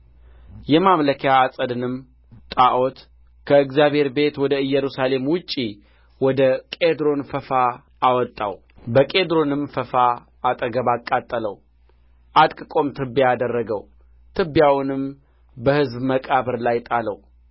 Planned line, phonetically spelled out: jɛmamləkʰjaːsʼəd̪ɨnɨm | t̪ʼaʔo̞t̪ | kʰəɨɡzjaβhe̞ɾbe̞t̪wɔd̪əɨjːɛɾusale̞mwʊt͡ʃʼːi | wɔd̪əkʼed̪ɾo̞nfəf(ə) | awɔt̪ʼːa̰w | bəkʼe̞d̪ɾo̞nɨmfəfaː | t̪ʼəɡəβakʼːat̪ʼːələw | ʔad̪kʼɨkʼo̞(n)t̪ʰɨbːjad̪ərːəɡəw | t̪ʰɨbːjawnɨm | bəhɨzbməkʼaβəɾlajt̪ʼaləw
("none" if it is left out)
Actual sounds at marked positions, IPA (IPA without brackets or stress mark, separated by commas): a, m